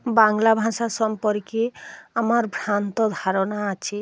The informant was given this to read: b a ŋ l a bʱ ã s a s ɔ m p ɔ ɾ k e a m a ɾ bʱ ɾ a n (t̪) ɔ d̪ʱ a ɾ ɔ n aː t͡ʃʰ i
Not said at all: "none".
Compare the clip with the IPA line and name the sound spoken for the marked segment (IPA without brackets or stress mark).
t̪